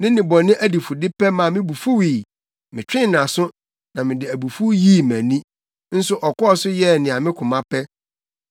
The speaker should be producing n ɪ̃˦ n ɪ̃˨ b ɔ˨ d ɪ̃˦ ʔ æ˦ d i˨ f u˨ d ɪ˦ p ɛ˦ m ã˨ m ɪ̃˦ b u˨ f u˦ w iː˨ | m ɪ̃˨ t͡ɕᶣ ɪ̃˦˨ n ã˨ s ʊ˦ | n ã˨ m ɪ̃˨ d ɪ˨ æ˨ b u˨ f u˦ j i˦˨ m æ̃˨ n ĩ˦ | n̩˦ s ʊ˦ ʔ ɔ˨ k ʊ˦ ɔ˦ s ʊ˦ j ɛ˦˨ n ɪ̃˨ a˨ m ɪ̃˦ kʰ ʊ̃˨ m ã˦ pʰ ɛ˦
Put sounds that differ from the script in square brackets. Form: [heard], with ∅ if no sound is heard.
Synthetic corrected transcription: n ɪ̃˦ n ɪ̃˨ b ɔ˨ [n] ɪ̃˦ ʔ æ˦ d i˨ f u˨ d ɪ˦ p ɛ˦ m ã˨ m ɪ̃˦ b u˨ f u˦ w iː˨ | m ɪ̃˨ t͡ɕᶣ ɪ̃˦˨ n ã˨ s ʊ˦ | n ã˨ m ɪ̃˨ d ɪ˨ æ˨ b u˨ f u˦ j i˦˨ m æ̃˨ n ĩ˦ | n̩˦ s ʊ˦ ʔ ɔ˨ k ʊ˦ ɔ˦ s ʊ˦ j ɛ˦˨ n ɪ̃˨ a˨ m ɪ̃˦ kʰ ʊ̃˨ m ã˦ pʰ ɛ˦

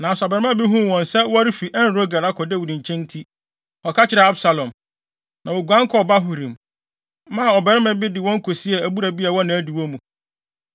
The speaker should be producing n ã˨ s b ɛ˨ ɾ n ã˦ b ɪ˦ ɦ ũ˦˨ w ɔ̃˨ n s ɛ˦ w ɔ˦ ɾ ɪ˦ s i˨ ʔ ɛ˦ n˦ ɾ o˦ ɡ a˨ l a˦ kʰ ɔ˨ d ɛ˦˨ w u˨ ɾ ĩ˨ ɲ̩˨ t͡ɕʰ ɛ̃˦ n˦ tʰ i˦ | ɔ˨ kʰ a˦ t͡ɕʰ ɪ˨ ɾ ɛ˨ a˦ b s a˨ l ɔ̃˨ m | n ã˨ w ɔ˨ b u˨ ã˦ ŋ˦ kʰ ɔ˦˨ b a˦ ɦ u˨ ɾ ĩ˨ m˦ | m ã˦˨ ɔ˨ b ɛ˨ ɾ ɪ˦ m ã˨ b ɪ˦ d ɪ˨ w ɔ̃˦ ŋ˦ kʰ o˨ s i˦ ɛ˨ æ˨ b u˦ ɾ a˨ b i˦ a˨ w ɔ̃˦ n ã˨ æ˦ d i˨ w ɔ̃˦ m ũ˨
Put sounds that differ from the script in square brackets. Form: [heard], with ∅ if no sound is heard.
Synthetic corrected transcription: n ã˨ s b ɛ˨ ɾ [m] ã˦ b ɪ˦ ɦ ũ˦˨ w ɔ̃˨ n s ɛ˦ w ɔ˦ ɾ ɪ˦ [f] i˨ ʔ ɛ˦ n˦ ɾ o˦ ɡ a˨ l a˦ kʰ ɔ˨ d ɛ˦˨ w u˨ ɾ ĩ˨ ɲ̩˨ t͡ɕʰ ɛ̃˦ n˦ tʰ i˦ | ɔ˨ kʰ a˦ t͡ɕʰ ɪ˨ ɾ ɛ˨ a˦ b s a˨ l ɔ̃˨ m | n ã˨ w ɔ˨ [ɡ] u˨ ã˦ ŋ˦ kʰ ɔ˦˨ b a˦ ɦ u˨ ɾ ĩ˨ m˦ | m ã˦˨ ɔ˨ b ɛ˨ ɾ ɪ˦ m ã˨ b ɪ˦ d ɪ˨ w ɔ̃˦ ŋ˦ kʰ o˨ s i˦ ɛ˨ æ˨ b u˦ ɾ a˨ b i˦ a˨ w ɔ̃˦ n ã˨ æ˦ d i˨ w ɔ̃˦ m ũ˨

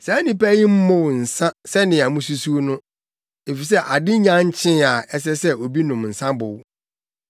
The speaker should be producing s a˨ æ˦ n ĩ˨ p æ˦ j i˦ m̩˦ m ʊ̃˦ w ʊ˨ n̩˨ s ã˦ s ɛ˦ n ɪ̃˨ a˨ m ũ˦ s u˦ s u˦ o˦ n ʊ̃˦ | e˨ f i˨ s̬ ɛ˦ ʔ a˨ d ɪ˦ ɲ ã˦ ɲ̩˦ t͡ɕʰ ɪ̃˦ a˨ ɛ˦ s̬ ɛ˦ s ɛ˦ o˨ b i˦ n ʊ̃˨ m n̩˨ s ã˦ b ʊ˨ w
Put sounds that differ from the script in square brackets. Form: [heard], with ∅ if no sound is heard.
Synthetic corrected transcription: s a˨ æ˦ n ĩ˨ p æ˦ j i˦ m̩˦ m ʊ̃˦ w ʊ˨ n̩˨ s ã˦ s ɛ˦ n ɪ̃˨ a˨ m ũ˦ s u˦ s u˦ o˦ n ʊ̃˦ | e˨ f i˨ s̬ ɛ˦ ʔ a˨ d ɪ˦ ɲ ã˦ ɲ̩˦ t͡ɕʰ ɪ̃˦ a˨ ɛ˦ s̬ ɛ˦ s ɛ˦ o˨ b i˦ n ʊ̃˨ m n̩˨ s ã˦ b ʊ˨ w

